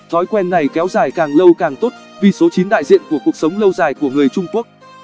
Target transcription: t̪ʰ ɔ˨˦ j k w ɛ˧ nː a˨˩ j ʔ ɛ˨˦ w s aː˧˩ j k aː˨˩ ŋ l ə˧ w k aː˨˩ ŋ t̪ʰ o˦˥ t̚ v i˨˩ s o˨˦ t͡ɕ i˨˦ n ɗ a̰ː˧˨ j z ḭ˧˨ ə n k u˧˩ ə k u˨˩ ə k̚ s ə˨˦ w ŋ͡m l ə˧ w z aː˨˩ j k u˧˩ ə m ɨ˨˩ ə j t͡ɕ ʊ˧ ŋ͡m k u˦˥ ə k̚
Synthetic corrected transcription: t̪ʰ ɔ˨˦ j k w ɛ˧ nː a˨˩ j k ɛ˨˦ w z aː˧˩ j k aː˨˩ ŋ l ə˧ w k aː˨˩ ŋ t̪ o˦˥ t̚ v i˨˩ s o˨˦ t͡ɕ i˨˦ n ɗ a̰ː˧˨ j z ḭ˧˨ ə n k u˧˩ ə k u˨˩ ə k̚ s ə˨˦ w ŋ͡m l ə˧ w z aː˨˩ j k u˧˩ ə ŋ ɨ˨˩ ə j t͡ɕ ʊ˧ ŋ͡m k u˦˥ ə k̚